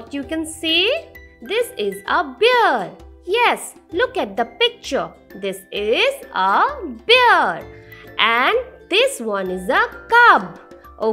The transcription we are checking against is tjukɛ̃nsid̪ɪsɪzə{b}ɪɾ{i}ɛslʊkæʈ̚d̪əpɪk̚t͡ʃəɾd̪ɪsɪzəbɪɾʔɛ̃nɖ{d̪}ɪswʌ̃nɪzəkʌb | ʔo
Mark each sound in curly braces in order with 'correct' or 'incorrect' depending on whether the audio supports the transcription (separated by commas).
correct, incorrect, correct